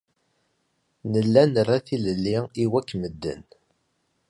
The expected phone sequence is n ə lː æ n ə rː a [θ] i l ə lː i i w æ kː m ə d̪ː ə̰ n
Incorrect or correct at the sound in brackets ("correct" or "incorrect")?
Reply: correct